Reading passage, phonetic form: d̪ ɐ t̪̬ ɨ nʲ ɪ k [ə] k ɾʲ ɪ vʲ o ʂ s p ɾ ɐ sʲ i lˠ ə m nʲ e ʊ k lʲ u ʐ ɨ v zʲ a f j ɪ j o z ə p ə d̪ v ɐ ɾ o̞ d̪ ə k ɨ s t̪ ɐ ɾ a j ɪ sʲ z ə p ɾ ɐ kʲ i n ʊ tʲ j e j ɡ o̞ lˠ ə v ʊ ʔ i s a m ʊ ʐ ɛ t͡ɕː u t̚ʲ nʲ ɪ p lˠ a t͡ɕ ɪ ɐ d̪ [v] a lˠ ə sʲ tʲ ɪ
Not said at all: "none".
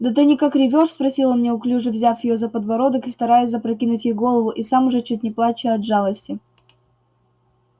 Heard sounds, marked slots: a, ʐ

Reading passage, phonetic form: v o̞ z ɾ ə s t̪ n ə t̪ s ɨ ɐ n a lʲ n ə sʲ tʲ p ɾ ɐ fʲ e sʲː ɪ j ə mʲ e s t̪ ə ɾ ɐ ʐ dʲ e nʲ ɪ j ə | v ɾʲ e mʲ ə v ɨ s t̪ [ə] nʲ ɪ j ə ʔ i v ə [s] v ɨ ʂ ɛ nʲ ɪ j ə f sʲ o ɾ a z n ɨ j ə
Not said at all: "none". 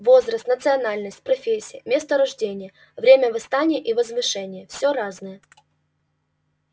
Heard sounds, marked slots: a, z

